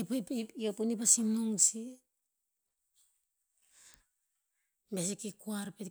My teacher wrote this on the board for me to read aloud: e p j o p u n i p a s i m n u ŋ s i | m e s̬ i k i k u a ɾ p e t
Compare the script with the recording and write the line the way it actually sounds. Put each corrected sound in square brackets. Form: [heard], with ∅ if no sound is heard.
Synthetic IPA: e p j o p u n i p a s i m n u ŋ s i | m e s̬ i k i k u a ɾ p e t